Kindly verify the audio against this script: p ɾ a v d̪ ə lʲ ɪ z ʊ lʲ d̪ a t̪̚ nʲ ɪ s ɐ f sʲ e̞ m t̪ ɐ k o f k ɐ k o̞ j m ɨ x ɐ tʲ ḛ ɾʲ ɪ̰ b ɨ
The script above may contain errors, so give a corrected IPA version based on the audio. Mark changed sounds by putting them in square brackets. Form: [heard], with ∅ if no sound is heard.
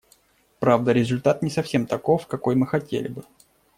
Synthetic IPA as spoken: p ɾ a v d̪ ə [ɾʲ] ɪ z ʊ lʲ [t̪] a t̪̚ nʲ ɪ s ɐ f sʲ e̞ m t̪ ɐ k o f k ɐ k o̞ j m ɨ x ɐ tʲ ḛ [lʲ] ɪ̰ b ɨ